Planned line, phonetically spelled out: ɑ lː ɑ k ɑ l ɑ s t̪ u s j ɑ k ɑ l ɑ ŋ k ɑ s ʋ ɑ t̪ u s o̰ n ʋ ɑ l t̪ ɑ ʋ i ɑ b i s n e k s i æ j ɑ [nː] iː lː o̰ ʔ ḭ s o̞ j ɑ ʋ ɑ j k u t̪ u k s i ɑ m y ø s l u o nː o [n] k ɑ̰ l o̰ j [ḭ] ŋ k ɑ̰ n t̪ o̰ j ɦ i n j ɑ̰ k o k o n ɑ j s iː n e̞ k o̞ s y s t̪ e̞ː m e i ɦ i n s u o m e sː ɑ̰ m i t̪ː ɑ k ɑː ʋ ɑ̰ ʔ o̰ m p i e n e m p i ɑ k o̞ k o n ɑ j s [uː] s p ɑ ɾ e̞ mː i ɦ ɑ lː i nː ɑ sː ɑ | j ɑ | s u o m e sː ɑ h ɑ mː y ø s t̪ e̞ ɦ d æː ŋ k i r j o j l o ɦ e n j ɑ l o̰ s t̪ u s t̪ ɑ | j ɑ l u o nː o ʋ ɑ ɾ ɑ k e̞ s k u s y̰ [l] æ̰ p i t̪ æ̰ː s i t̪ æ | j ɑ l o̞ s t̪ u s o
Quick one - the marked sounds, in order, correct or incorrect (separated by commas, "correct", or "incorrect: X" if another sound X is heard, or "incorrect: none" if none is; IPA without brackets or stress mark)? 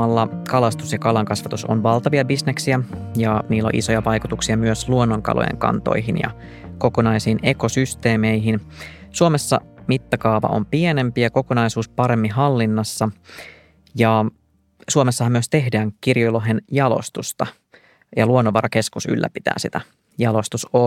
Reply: incorrect: n, incorrect: ŋ, incorrect: ḛ, correct, incorrect: lː